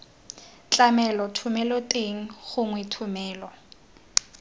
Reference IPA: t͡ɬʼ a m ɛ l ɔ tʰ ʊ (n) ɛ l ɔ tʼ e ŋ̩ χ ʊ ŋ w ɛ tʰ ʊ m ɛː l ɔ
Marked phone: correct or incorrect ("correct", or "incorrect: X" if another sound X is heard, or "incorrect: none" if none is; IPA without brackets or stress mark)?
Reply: incorrect: m